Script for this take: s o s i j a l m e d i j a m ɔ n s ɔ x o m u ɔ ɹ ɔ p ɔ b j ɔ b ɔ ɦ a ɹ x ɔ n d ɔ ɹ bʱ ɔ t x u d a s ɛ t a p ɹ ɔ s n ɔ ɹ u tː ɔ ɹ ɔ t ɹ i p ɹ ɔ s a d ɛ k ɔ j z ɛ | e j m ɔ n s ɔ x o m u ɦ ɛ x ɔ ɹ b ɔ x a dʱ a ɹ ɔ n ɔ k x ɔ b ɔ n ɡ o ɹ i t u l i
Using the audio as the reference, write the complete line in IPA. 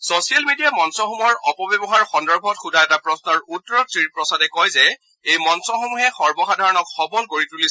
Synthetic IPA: s o s i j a l m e d i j a m ɔ n s ɔ x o m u ɔ ɹ ɔ p ɔ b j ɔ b ɔ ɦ a ɹ x ɔ n d ɔ ɹ bʱ ɔ t x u d a ɛ t a p ɹ ɔ s n ɔ ɹ u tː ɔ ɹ ɔ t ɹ i p ɹ ɔ s a d ɛ k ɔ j z ɛ | e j m ɔ n s ɔ x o m u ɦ ɛ x ɔ ɹ b ɔ x a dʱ a ɹ ɔ n ɔ k x ɔ b ɔ n k o ɹ i t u l i

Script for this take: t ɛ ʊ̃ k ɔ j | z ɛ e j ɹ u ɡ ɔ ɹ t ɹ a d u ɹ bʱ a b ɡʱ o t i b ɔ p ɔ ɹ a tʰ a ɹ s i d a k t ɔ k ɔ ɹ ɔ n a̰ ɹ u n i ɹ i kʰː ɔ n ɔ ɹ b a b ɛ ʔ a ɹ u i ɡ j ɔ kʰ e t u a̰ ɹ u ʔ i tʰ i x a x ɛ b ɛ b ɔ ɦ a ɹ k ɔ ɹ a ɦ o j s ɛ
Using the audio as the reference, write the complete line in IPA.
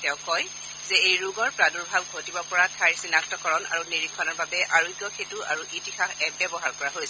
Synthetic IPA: t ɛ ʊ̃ k ɔ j | z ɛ e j ɹ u ɡ ɔ ɹ p ɹ a d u ɹ bʱ a b ɡʱ o t i b ɔ p ɔ ɹ a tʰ a ɹ s i n a k t ɔ k ɔ ɹ ɔ n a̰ ɹ u n i ɹ i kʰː ɔ n ɔ ɹ b a b ɛ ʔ a ɹ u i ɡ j ɔ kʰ e t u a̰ ɹ u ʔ i t i x a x ɛ b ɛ b ɔ ɦ a ɹ k ɔ ɹ a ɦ o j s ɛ

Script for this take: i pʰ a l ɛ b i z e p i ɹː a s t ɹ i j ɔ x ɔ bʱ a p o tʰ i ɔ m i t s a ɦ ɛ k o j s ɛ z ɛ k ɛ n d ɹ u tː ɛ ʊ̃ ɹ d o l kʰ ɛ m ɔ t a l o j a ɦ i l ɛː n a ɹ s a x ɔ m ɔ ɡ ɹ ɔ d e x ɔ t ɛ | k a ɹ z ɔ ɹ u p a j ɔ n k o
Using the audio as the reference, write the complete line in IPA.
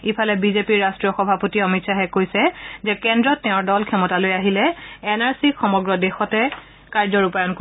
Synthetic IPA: i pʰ a l ɛ b i z e p i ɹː a s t ɹ i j ɔ x ɔ bʱ a p o t i ɔ m i t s a ɦ ɛ k o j s ɛ z ɛ k ɛ n d ɹ ɔ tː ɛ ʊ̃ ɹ d ɔ l kʰ ɛ m ɔ t a l o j a ɦ i l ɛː n a ɹ s i x ɔ m ɔ ɡ ɹ ɔ d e x ɔ t ɛ | k a ɹ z ɔ ɹ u p a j ɔ n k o

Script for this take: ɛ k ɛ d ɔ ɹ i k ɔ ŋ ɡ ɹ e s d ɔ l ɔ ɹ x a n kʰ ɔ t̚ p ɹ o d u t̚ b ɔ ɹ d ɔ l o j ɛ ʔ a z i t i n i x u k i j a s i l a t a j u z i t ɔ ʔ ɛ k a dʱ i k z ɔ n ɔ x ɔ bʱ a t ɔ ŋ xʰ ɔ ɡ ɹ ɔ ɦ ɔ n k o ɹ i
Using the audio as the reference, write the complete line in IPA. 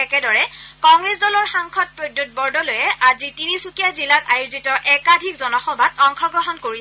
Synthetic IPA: ɛ k ɛ d ɔ ɹ ɛ k ɔ ŋ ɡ ɹ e s d ɔ l ɔ ɹ x a ŋ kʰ ɔ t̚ p ɹ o d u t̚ b ɔ ɹ d ɔ l o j ɛ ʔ a z i t i n i s u k i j a z i l a t a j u z i t ɔ ʔ ɛ k a dʱ i k z ɔ n ɔ x ɔ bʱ a t ɔ ŋ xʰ ɔ ɡ ɹ ɔ ɦ ɔ n k o ɹ i

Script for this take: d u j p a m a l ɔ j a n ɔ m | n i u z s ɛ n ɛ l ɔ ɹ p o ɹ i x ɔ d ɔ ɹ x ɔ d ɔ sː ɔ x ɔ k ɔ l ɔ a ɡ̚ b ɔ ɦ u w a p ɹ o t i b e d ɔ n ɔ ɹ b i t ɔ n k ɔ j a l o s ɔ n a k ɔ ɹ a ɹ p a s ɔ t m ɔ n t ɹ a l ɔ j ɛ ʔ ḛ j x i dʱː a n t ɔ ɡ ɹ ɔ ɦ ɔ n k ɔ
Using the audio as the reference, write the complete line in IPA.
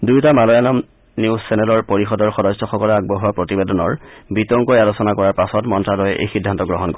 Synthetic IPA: d u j t a m a l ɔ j a n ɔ m | n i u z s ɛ n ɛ l ɔ ɹ p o ɹ i x ɔ d ɔ ɹ x ɔ d ɔ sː ɔ x ɔ k ɔ l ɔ a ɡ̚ b ɔ ɦ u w a p ɹ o t i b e d ɔ n ɔ ɹ b i t ɔ ŋ k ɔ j a l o s ɔ n a k ɔ ɹ a ɹ p a s ɔ t m ɔ n t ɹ a l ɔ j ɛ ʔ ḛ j x i dʱː a n t ɔ ɡ ɹ ɔ ɦ ɔ n k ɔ

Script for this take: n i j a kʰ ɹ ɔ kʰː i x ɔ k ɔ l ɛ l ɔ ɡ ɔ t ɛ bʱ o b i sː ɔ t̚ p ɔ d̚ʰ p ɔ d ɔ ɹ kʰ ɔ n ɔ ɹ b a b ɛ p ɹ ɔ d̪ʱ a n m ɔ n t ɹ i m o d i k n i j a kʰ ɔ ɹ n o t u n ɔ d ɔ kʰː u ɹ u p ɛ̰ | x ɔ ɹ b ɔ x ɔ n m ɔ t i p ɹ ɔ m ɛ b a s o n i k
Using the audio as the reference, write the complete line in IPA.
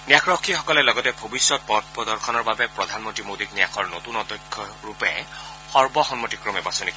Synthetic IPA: n i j a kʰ ɹ ɔ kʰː i x ɔ k ɔ l ɛ l ɔ ɡ ɔ t ɛ bʱ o b i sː ɔ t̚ p ɔ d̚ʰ p ɔ d ɔ ɹ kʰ ɔ n ɔ ɹ b a b ɛ p ɹ ɔ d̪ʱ a n m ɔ n t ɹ i m o d i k n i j a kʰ ɔ ɹ n o t u n ɔ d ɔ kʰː ɔ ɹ u p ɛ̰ | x ɔ ɹ b ɔ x ɔ n m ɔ t i k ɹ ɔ m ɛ b a s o n i k

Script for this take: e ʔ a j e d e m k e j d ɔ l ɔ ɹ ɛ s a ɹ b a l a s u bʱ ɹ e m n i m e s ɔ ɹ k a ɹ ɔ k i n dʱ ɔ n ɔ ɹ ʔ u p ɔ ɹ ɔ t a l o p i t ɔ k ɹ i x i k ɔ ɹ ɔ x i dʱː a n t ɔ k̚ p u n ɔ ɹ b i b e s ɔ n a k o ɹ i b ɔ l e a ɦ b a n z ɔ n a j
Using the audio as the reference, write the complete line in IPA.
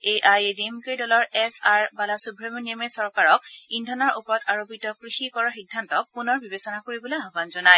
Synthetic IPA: e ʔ a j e d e m k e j d ɔ l ɔ ɹ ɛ s a ɹ b a l a s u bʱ ɹ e m n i m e s ɔ ɹ k a ɹ ɔ k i n dʱ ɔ n ɔ ɹ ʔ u p ɔ ɹ ɔ t a ɹ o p i t ɔ k ɹ i x i k ɔ ɹ ɔ x i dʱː a n t ɔ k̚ p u n ɔ ɹ b i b e s ɔ n a k o ɹ i b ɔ l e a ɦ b a n z ɔ n a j

